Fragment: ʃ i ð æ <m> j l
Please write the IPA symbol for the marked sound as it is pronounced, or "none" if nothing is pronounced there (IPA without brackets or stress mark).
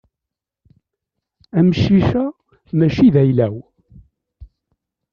none